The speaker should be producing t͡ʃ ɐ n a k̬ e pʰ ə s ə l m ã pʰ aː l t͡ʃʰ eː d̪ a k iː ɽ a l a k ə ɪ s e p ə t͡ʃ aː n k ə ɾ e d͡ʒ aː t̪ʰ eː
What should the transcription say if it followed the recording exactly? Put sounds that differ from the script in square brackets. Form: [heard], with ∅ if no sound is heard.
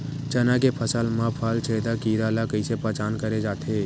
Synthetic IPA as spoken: t͡ʃ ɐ n a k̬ e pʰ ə s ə l m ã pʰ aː l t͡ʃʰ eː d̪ a k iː [ɾ] a l a k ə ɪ s e p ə t͡ʃ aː n k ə ɾ e d͡ʒ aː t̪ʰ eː